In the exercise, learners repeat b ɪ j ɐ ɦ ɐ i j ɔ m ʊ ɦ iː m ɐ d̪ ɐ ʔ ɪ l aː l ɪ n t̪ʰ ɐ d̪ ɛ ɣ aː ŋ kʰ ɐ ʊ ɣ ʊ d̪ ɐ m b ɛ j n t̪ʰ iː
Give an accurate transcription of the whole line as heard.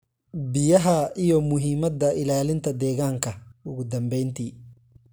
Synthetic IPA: b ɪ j ɐ ɦ ɐ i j ɔ m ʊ ɦ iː m ɐ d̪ ɐ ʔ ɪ l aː l ɪ n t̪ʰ ɐ d̪ ɛː ɣ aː ŋ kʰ ɐ ʊ ɣ ʊ d̪ ɐ m b ɛ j n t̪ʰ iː

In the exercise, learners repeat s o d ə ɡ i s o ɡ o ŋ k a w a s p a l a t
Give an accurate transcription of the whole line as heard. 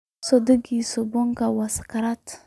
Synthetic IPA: s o d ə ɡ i s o b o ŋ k a w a s k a ɾ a t

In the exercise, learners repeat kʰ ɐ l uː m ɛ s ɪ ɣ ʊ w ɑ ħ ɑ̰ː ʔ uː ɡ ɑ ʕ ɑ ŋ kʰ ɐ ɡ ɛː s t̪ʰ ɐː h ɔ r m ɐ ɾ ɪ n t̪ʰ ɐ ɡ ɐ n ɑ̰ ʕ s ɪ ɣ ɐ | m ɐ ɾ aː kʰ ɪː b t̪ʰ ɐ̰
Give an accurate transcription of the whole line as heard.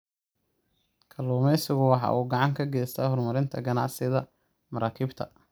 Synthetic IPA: kʰ ɐ l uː m ɛ s ɪ ɣ ʊ w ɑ ħ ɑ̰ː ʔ uː ɡ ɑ ʕ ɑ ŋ kʰ ɐ ɡ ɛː s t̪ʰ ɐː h ɔ r m ɐ ɾ ɪ n t̪ʰ ɐ ɡ ɐ n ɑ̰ ʕ s ɪ ð ɐ | m ɐ ɾ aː kʰ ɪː b t̪ʰ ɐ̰

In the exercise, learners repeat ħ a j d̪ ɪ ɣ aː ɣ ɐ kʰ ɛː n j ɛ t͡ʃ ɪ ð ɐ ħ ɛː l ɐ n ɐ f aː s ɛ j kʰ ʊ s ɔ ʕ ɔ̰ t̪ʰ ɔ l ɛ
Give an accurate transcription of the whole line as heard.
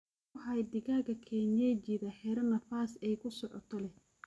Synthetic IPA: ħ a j d̪ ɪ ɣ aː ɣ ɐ kʰ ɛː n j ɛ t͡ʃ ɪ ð ɐ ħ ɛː ɾ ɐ n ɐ f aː s ɛ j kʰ ʊ s ɔ ʕ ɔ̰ t̪ʰ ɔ l ɛ

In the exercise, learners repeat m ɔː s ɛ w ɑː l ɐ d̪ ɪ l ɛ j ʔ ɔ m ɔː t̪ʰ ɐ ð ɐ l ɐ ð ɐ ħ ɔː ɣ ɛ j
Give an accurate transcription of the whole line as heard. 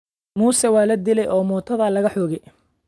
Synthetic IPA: m uː s ɛ w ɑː l ɐ d̪ ɪ l ɛ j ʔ ɔː m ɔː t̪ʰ ɐ ð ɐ l ɐ ɣ ɐ ħ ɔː ɣ ɛ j

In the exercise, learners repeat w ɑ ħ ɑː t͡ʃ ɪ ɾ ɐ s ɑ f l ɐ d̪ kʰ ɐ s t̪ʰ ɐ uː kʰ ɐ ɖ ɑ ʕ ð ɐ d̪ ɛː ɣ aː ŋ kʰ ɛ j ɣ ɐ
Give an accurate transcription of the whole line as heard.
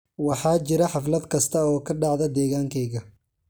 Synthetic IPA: w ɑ ħ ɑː t͡ʃ ɪ ɾ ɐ ħ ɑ f l ɐ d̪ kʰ ɐ s t̪ʰ ɐ ɔː kʰ ɐ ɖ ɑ ʕ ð ɐ d̪ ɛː ɣ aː ŋ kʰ ɛ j ɣ ɐ

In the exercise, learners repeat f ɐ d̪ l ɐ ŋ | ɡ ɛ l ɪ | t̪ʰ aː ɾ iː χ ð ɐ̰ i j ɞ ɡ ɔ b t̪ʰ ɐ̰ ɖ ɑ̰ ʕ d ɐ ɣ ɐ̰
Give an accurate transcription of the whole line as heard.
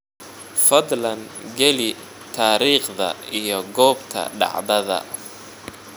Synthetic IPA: f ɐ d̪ l ɐ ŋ | ɡ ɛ l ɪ | t̪ʰ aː ɾ iː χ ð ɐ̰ i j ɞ ɡ ɔː b t̪ʰ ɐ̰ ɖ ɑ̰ ʕ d ɐ ð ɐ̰

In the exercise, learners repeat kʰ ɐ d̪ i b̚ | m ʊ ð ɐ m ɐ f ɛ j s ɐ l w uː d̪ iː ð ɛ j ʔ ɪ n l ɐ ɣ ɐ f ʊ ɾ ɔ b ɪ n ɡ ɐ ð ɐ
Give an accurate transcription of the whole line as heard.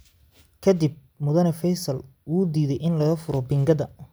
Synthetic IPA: kʰ ɐ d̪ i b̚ | m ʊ ð ɐ n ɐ f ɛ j s ɐ l w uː d̪ iː ð ɛ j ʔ ɪ n l ɐ ɣ ɐ f ʊ ɾ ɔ b ɪ ŋ ɡ ɐ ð ɐ

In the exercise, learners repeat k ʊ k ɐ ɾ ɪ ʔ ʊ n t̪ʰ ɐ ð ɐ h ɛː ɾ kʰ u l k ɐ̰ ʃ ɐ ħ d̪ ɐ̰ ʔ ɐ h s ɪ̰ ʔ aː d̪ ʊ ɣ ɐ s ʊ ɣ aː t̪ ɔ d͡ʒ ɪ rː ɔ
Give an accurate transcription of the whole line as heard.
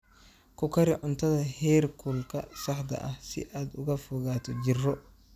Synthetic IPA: k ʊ k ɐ ɾ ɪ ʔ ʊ n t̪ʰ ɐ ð ɐ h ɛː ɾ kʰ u l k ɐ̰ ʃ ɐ ħ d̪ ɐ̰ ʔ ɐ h s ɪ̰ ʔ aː d̪ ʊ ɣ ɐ f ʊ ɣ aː t̪ ɔ d͡ʒ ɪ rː ɔ

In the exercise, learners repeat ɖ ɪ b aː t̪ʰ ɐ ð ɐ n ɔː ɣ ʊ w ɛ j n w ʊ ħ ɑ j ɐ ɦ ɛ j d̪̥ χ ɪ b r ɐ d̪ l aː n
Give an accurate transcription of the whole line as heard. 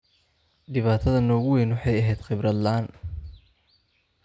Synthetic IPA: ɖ ɪ β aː t̪ʰ ɐ ð ɐ n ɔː ɣ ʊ w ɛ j n w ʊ ħ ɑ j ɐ ɦ ɛ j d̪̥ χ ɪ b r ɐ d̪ l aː n

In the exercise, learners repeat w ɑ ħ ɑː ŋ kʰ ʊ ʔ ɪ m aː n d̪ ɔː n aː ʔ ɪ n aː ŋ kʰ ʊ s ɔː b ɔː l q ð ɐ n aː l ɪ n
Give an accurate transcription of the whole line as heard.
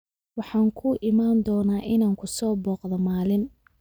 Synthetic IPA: w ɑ ħ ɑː ŋ kʰ ʊ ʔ ɪ m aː n d̪ ɔː n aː ʔ ɪ n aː ŋ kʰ ʊ s ɔː b ɔː q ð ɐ m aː l ɪ n

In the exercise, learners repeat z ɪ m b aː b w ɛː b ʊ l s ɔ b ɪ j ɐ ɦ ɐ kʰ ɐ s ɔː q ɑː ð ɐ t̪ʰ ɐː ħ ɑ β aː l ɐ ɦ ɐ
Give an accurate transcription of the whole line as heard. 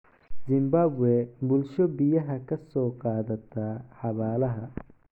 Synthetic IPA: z ɪ m b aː b w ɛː b ʊ l ʃ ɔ b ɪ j ɐ ɦ ɐ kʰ ɐ s ɔː q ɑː ð ɐ t̪ʰ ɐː ħ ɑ β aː l ɐ ɦ ɐ

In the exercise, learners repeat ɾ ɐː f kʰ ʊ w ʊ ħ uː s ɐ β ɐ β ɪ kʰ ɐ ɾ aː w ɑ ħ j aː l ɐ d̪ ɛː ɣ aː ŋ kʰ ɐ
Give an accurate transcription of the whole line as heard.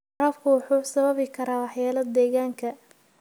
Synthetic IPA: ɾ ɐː f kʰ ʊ w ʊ ħ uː s ɐ β ɐ β ɪ kʰ ɐ ɾ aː w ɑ ħ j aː l ɐ d̪ ɛː ɣ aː ŋ kʰ ɐ

